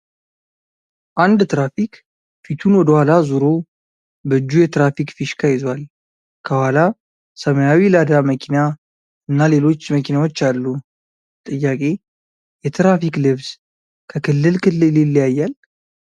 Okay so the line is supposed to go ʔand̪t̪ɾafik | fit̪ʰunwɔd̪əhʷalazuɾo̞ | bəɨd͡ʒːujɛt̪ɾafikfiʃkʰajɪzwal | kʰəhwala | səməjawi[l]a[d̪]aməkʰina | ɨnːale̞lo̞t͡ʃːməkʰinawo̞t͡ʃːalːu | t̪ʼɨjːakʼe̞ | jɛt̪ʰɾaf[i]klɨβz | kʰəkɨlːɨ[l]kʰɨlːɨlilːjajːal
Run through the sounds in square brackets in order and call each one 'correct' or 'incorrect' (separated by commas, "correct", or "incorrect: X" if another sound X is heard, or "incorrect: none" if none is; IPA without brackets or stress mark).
correct, correct, correct, correct